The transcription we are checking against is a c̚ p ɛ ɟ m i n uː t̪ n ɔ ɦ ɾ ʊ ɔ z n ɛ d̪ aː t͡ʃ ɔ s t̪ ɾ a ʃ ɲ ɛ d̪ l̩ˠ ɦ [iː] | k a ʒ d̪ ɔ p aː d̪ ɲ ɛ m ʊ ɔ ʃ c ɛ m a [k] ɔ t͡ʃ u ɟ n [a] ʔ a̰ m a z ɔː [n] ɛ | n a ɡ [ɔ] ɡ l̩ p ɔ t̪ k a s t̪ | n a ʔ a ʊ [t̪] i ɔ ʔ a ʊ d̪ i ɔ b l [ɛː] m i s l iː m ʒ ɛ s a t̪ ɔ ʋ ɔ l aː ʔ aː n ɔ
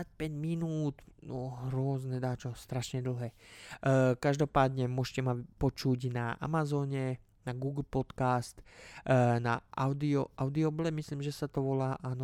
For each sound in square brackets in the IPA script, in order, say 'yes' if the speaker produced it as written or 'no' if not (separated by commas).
no, no, yes, no, no, no, no